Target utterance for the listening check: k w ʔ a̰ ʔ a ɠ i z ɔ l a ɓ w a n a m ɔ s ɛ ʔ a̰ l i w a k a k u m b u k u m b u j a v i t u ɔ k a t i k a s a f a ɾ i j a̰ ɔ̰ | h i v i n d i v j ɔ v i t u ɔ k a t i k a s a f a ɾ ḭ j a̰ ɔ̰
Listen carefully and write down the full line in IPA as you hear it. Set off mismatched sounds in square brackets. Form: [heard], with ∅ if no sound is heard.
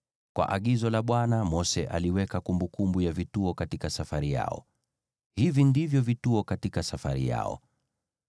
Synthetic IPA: k w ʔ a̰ ʔ a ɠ i z ɔ l a ɓ w a n a m ɔ s ɛ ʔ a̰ l i w [ɛ] k a k u m b u k u m b u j a v i t u ɔ k a t i k a s a f a ɾ i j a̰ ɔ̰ | h i v i n d i v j ɔ v i t u ɔ k a t i k a s a f a ɾ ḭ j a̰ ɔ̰